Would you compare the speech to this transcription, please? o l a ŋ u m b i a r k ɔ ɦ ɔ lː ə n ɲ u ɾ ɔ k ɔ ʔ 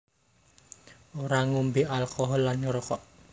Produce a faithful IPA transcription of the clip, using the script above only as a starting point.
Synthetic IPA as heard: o ɾ a ŋ u m b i a l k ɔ ɦ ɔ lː a n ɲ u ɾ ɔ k ɔ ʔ